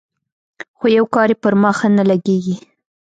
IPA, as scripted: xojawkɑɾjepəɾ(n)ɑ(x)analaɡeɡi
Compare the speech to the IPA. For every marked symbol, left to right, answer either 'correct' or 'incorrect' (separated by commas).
incorrect, correct